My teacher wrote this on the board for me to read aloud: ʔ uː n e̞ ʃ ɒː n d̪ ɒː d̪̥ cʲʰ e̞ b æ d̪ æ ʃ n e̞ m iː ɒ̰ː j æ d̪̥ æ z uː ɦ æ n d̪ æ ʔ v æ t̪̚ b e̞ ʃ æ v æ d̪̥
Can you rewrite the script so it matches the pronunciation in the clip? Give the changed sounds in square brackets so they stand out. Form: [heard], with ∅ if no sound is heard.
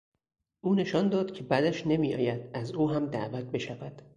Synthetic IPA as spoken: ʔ uː n e̞ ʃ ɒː n d̪ ɒː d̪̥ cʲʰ e̞ b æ d̪ æ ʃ n e̞ m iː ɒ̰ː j æ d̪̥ æ z uː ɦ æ [m] d̪ æ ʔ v æ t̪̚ b e̞ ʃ æ v æ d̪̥